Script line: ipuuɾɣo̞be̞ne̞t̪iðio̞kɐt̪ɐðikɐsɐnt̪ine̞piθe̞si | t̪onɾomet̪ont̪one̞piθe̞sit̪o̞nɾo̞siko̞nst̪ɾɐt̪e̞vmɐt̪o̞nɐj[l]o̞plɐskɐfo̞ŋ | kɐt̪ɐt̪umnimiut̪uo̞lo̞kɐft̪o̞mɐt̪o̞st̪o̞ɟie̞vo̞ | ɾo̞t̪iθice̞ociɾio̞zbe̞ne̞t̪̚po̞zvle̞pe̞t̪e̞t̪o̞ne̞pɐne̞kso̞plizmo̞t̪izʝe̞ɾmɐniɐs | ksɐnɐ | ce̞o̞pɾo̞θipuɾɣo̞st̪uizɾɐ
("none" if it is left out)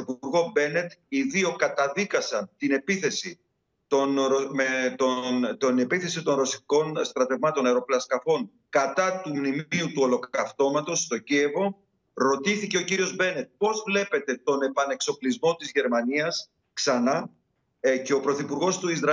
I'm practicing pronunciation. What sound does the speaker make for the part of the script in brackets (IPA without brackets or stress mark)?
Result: ɾ